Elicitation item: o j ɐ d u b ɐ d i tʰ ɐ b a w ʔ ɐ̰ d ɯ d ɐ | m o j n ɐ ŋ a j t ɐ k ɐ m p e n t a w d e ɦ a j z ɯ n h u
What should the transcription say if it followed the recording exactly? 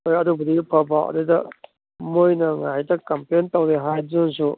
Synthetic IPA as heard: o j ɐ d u b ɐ d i pʰ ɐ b a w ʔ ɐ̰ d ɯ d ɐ | m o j n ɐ ŋ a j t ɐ k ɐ m p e n t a w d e ɦ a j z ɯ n s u

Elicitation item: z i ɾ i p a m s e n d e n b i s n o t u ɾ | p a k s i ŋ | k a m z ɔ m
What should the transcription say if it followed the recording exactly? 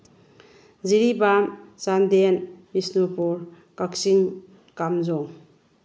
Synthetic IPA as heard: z i ɾ i b a m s a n d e n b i s n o p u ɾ | k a k s i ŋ | k a m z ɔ ŋ

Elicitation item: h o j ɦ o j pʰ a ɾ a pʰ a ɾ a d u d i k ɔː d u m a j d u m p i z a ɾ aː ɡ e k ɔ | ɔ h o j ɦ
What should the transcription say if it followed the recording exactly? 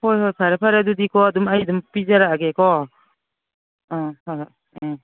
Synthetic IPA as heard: h o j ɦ o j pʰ a ɾ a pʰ a ɾ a d u d i k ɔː d u m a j d u m p i z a ɾ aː ɡ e k ɔ | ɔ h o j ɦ

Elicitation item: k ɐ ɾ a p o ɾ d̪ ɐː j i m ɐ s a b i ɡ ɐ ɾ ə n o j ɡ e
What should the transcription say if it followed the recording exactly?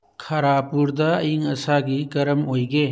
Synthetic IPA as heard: kʰ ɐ ɾ a p u ɾ d̪ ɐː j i ŋ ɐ s a ɡ i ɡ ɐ ɾ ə m o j ɡ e

